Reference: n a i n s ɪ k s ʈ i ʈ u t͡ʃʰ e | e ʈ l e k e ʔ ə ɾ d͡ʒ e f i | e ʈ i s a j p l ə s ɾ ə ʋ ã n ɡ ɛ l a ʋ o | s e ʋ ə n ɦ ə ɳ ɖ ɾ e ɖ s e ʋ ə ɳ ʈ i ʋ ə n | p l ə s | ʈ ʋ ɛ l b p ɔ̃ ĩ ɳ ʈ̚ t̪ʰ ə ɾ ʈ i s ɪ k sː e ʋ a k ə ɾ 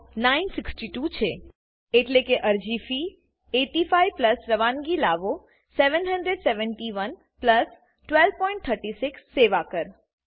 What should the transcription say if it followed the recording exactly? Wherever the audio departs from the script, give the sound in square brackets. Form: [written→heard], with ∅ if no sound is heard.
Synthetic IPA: n a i n s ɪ k s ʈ i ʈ u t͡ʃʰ e | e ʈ l e k e ʔ ə ɾ d͡ʒ [e→i] f i | e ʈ i [s→f] a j p l ə s ɾ ə ʋ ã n ɡ [ɛ→i] l a ʋ o | s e ʋ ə n ɦ ə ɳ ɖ ɾ e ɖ s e ʋ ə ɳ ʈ i ʋ ə n | p l ə s | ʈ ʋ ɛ l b p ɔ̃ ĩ ɳ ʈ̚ t̪ʰ ə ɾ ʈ i s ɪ k sː e ʋ a k ə ɾ

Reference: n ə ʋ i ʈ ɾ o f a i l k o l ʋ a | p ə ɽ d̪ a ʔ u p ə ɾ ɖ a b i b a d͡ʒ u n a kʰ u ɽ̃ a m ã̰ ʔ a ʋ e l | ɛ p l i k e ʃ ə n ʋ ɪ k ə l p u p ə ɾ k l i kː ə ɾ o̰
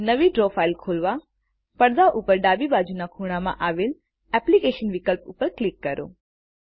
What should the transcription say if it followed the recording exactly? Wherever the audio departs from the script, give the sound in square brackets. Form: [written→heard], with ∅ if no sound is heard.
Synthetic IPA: n ə ʋ i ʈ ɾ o f a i l [k→kʰ] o l ʋ a | p ə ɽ d̪ a ʔ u p ə ɾ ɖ a b i b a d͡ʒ u n a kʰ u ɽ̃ a m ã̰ ʔ a ʋ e l | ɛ p l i k e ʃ ə n ʋ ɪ k ə l p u p ə ɾ k l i kː ə ɾ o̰

